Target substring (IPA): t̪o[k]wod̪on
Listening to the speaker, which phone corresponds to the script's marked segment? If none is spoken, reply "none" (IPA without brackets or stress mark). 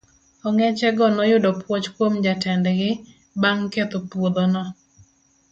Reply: p